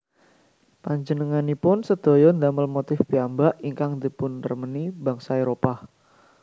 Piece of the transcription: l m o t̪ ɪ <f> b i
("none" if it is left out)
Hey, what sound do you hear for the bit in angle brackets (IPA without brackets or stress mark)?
f